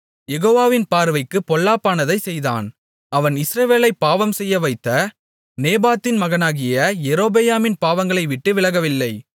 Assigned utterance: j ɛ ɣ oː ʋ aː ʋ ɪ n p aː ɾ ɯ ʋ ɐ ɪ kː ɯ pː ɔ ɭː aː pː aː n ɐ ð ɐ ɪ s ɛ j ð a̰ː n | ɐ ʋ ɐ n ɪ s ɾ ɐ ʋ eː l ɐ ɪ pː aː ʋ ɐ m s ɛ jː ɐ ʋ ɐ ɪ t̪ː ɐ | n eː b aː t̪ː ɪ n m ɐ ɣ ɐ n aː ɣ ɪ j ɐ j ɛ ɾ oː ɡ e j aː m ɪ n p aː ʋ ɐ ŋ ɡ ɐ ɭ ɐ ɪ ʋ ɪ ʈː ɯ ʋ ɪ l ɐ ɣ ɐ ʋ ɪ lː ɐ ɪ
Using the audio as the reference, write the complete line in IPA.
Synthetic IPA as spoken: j ɛ ɣ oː ʋ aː ʋ ɪ n p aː ɾ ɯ ʋ ɐ ɪ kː ɯ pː ɔ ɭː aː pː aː n ɐ ð ɐ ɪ s ɛ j ð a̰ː n | ɐ ʋ ɐ n ɪ s ɾ ɐ ʋ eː l ɐ ɪ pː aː ʋ ɐ m s ɛ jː ɐ ʋ ɐ ɪ t̪ː ɐ | n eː b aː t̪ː ɪ n m ɐ ɣ ɐ n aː ɣ ɪ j ɐ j ɛ ɾ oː b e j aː m ɪ n p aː ʋ ɐ ŋ ɡ ɐ ɭ ɐ ɪ ʋ ɪ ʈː ɯ ʋ ɪ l ɐ ɣ ɐ ʋ ɪ lː ɐ ɪ